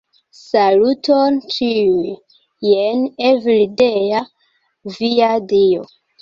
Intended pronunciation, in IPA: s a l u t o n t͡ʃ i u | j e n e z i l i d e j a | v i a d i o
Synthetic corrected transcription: s a l u t o n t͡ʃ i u | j e n e v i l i d e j a | v i a d i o